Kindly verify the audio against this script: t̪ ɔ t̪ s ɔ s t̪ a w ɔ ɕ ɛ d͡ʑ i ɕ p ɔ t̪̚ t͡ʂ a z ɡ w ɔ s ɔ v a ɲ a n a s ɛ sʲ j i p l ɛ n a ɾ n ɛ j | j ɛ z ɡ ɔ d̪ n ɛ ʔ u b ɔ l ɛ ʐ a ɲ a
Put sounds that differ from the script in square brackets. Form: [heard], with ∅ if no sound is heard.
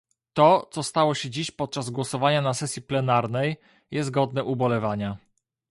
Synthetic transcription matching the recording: t̪ ɔ t̪ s ɔ s t̪ a w ɔ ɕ ɛ d͡ʑ i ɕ p ɔ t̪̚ t͡ʂ a z ɡ w ɔ s ɔ v a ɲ a n a s ɛ sʲ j i p l ɛ n a ɾ n ɛ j | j ɛ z ɡ ɔ d̪ n ɛ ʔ u b ɔ l ɛ [v] a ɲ a